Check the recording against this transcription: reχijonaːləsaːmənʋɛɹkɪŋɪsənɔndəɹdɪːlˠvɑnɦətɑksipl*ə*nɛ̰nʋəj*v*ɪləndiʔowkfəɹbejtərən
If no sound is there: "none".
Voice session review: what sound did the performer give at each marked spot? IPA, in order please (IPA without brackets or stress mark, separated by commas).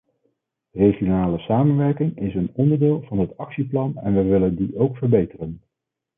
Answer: ɑ, ʋ